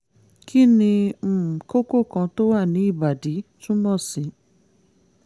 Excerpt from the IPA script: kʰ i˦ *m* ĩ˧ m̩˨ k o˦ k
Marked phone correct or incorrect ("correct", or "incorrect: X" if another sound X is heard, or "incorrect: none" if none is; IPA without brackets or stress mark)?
incorrect: n